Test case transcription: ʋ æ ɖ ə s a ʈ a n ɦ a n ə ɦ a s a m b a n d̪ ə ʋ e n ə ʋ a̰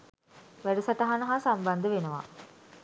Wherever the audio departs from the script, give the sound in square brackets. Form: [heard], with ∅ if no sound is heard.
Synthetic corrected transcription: ʋ æ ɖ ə s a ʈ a [∅] ɦ a n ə ɦ a s a m b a n d̪ ə ʋ e n ə ʋ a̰